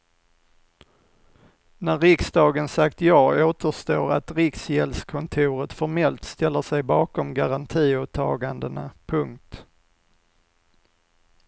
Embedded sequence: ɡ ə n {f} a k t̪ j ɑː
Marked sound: incorrect: s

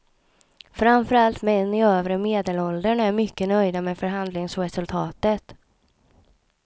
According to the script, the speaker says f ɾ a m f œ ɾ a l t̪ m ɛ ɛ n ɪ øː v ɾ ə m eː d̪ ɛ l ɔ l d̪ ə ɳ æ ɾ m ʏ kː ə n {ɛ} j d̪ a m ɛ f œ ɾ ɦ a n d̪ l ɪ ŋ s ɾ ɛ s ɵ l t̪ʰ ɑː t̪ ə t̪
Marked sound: incorrect: œ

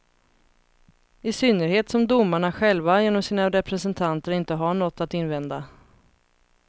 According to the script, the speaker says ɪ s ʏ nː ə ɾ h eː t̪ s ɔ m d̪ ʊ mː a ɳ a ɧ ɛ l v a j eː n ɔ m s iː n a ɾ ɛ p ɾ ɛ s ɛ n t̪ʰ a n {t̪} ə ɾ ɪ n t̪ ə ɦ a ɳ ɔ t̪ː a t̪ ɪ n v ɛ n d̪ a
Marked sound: correct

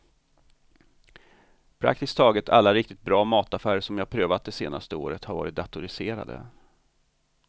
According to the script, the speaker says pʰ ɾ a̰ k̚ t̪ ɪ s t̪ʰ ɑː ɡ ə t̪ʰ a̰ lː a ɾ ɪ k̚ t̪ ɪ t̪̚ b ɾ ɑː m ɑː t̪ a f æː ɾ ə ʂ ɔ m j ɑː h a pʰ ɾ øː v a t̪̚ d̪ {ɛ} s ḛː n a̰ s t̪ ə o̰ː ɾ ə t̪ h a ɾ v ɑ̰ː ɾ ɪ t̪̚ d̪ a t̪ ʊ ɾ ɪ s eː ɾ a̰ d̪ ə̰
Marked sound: correct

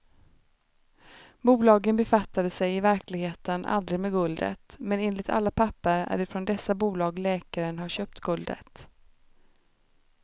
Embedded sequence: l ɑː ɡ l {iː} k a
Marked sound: incorrect: ɛː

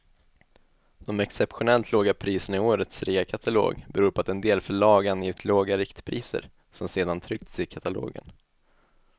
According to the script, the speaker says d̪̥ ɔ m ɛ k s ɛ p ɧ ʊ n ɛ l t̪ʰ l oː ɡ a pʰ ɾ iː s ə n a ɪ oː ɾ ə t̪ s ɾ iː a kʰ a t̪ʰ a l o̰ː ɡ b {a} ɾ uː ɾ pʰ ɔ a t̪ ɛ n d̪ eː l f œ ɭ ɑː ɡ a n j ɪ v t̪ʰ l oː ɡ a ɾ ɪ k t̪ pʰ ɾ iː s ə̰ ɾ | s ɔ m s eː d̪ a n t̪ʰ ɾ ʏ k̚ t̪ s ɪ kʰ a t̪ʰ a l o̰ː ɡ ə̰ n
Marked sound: incorrect: ɛ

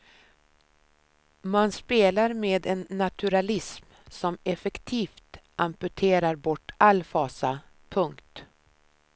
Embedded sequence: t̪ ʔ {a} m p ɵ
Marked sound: correct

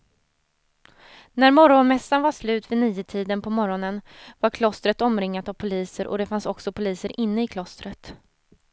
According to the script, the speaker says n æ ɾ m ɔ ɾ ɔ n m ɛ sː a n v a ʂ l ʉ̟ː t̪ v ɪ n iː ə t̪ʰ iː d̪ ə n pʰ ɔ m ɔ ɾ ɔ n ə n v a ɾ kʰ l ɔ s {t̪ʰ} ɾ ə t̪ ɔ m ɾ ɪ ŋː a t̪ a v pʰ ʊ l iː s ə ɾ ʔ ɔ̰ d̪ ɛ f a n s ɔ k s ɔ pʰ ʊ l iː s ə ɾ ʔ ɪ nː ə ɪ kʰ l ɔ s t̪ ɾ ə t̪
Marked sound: incorrect: t̪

